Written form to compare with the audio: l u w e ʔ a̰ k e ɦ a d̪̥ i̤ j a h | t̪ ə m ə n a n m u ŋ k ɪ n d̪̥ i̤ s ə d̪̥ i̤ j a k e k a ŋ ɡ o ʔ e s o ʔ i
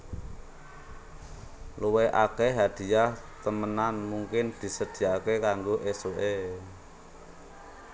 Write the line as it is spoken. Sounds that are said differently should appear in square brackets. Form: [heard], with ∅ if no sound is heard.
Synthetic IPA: l u w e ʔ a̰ k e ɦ a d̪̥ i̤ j a h | t̪ ə m ə n a n m u ŋ k ɪ n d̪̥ i̤ s ə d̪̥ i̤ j a k e k a ŋ ɡ o ʔ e s o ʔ [e]